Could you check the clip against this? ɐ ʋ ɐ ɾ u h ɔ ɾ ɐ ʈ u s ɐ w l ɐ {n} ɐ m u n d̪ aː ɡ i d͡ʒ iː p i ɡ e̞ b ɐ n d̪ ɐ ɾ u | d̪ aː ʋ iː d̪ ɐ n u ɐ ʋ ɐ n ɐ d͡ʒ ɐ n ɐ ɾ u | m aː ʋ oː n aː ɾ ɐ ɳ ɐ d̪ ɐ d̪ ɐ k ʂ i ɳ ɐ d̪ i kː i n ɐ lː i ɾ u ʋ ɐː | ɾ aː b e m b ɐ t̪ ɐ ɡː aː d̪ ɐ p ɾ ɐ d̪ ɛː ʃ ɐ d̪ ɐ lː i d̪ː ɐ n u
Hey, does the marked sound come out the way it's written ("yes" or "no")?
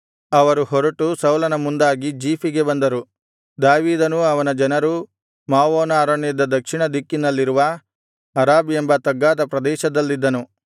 yes